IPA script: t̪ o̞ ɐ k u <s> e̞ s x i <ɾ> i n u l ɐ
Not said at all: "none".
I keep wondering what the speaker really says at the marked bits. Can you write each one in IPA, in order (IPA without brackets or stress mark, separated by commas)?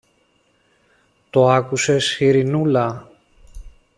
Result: s, ɾ